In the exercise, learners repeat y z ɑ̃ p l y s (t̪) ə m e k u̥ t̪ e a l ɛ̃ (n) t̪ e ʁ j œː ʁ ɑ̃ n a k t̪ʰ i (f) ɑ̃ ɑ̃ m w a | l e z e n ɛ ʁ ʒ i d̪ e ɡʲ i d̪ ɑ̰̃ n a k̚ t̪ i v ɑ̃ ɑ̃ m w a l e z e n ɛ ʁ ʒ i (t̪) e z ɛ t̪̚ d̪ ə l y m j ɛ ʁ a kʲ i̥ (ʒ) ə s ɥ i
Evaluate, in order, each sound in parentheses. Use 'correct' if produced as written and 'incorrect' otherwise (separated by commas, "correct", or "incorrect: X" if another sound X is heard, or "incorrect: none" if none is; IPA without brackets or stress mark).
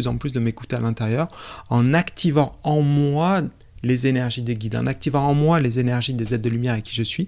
incorrect: d̪, incorrect: none, incorrect: v, incorrect: d̪, correct